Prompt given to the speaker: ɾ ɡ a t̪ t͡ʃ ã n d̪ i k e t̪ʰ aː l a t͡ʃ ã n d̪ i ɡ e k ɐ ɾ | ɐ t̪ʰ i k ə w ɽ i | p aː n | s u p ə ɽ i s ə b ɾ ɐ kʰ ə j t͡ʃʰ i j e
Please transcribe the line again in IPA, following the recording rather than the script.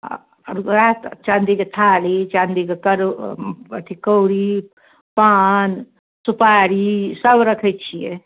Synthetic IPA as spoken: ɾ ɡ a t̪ t͡ʃ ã n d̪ i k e t̪ʰ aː l i t͡ʃ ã n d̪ i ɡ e k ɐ ɾ | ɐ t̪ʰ i k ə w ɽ i | p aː n | s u p a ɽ i s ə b ɾ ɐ kʰ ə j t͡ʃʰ i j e